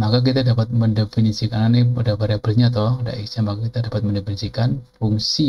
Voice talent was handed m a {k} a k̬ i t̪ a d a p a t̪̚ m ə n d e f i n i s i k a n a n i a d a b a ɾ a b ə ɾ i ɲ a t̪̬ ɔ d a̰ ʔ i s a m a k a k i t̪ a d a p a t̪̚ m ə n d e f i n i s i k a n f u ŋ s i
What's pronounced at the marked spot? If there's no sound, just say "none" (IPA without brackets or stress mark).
k